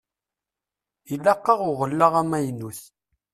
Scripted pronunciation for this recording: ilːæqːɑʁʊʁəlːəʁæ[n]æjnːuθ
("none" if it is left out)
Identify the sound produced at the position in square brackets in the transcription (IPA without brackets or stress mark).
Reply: m